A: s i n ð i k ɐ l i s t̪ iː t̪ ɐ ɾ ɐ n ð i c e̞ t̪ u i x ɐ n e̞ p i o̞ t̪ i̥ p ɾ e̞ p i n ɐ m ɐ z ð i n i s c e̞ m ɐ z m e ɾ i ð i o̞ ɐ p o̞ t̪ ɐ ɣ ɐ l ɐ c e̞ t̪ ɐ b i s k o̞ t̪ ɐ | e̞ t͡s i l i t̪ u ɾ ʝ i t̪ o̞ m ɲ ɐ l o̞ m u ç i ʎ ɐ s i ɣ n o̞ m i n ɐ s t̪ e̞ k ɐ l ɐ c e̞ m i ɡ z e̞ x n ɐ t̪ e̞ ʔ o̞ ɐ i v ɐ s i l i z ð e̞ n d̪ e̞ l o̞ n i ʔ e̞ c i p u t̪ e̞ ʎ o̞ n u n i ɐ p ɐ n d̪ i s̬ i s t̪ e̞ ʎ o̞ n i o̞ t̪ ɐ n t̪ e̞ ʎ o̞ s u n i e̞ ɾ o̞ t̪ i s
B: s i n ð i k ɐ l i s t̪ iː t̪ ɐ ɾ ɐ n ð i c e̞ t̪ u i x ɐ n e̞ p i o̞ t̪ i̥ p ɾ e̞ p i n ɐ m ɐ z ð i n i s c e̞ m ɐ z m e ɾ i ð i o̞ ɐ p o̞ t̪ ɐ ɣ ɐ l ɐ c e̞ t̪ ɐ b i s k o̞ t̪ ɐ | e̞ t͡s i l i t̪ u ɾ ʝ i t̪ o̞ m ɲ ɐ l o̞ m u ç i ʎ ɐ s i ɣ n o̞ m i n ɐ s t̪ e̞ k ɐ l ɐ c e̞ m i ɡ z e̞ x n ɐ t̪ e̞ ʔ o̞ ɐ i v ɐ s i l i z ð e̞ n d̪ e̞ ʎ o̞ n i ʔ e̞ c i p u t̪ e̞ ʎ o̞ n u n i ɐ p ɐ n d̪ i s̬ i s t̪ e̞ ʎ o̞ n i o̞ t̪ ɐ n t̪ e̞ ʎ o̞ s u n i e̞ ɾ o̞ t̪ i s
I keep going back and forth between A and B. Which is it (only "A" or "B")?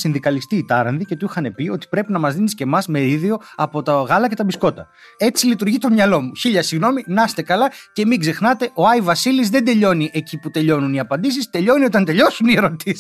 B